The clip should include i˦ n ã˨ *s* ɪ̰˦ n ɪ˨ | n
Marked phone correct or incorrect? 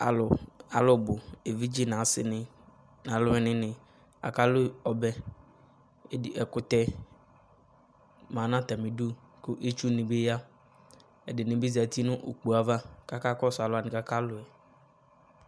correct